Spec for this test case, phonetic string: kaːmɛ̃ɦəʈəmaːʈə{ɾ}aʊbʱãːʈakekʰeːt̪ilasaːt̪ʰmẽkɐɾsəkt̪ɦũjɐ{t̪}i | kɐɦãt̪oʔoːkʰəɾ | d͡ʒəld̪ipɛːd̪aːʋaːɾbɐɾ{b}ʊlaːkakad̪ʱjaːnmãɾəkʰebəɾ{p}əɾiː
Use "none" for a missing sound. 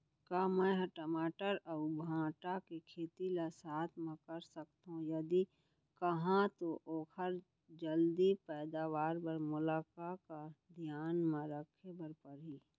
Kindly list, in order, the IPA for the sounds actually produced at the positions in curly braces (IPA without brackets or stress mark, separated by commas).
ɾ, d̪, m, p